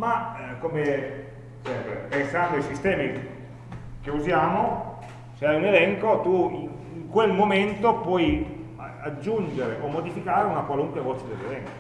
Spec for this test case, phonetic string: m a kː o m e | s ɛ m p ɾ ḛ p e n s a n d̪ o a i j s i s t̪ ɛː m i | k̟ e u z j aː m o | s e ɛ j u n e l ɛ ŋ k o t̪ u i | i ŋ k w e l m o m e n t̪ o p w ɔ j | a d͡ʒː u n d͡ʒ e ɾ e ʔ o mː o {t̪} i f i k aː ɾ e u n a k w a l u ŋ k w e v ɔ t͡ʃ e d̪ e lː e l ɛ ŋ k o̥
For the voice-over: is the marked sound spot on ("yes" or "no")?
no